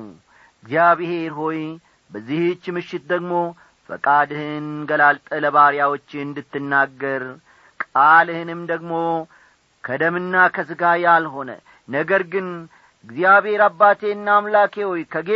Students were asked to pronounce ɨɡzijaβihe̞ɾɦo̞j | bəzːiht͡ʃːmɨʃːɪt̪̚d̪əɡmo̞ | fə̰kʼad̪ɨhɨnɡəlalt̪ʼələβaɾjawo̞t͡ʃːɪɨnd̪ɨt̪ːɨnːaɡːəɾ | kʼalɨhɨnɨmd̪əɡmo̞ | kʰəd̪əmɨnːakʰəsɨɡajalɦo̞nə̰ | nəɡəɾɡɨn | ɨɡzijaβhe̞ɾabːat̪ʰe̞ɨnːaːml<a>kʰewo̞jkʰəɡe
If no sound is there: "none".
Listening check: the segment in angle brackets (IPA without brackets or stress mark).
a